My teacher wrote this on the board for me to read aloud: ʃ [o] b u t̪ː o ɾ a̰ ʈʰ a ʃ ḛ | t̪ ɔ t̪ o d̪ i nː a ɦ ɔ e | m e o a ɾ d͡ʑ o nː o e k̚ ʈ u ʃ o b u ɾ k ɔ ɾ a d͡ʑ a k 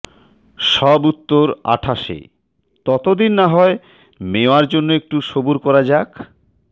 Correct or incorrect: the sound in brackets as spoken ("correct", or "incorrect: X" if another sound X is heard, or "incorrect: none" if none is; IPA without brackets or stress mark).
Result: incorrect: ɔ